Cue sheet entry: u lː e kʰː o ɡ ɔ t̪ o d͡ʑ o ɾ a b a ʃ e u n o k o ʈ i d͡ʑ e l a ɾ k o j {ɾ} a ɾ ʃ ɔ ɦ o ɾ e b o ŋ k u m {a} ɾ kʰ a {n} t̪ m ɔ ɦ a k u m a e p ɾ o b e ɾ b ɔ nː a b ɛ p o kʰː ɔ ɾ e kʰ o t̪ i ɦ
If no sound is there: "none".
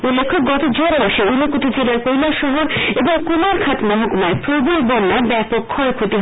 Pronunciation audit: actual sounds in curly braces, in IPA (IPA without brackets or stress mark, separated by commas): l, a, none